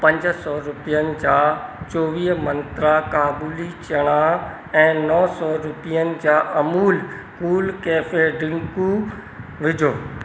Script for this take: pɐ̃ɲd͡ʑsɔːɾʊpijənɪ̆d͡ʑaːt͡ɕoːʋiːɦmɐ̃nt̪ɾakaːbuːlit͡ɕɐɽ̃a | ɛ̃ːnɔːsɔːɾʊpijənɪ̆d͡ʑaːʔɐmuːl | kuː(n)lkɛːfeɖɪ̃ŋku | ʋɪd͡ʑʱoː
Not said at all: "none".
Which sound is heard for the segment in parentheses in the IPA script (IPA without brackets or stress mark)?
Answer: none